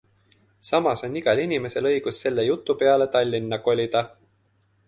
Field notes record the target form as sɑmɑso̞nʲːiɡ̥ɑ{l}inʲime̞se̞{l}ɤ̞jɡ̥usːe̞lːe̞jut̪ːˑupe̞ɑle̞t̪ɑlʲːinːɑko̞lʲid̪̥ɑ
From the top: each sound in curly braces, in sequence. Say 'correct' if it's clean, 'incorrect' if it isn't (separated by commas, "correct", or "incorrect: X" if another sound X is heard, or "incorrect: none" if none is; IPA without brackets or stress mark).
correct, correct